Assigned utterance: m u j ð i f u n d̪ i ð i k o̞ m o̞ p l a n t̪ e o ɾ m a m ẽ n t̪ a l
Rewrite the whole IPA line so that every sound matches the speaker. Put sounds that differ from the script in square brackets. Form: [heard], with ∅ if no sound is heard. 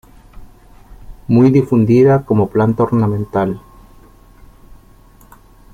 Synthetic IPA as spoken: m u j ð i f u n d̪ i ð [a] k o̞ m o̞ p l a n t̪ [a] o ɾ [n] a m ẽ n t̪ a l